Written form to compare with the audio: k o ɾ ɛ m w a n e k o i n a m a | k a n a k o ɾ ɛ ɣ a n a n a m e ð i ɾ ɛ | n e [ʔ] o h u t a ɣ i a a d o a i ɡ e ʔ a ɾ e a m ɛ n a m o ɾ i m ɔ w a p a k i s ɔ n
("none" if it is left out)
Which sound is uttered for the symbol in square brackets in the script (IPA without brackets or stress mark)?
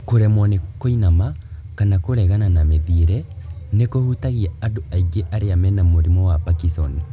k